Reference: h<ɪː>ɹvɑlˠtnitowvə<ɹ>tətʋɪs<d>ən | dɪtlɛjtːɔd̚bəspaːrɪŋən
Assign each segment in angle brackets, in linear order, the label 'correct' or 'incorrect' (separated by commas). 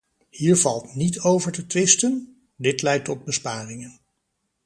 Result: incorrect, correct, incorrect